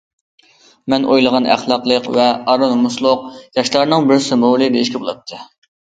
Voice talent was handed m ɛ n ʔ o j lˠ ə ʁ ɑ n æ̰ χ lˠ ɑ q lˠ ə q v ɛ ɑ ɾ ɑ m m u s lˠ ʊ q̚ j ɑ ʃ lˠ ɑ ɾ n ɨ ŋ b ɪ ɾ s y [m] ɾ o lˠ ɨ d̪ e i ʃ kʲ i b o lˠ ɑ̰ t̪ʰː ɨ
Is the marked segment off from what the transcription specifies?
no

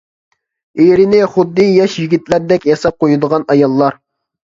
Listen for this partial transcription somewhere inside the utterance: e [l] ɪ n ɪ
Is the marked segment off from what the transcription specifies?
yes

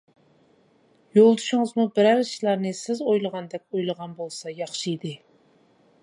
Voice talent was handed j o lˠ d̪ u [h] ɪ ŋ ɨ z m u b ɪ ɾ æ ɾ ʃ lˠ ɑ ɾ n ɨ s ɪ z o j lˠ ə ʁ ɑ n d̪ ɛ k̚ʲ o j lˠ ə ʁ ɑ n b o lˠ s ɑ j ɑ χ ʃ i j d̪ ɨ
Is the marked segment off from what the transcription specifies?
yes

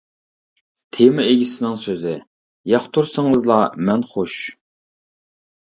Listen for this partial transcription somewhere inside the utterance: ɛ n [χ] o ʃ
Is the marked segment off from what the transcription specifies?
no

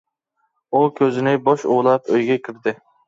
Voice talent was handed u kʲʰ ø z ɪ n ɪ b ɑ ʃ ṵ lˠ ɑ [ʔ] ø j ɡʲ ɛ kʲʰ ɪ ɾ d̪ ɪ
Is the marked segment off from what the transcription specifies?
yes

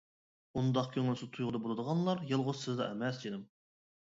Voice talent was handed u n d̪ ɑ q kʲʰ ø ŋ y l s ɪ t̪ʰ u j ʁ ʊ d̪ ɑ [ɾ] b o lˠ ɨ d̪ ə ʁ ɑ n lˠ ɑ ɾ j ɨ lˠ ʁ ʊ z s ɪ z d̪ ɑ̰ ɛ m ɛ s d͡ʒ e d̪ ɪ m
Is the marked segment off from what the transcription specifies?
yes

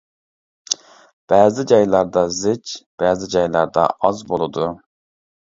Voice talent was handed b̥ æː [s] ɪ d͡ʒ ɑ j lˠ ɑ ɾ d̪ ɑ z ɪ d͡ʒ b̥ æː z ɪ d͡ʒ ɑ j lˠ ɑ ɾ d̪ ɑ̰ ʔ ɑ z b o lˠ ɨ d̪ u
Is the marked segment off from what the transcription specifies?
yes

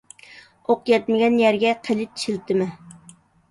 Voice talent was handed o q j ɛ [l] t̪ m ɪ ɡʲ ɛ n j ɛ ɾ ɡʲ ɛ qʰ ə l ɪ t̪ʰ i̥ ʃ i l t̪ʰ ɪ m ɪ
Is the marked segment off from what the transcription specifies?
yes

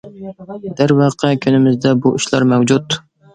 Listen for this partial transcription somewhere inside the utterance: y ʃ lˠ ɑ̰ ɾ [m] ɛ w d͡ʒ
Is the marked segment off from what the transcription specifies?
no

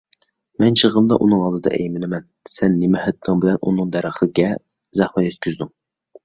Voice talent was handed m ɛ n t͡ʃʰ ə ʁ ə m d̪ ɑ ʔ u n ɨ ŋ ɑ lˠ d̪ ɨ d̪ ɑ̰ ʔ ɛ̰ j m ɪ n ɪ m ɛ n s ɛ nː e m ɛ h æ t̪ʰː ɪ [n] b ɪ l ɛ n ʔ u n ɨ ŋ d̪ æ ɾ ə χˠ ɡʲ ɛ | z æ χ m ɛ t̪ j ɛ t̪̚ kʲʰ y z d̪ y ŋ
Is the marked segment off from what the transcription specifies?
yes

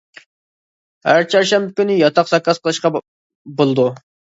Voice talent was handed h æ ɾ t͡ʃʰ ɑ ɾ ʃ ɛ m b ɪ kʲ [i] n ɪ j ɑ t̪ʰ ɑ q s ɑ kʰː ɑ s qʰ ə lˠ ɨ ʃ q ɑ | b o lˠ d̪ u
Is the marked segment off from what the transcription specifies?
yes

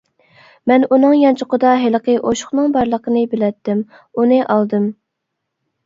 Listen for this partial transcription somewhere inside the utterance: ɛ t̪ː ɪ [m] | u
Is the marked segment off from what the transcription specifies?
no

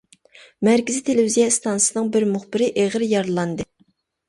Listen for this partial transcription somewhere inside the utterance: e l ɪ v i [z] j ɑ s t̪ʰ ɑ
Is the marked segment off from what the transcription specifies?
no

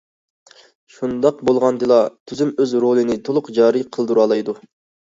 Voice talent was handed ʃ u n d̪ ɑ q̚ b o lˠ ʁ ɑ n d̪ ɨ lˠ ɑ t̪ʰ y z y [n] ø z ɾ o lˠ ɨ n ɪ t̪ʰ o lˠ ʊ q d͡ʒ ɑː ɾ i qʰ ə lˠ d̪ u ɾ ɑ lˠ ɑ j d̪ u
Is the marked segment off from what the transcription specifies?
yes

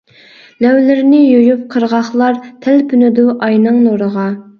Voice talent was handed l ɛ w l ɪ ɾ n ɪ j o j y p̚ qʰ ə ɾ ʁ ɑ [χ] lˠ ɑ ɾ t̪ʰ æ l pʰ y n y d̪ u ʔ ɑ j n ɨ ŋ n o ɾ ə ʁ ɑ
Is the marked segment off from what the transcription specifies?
no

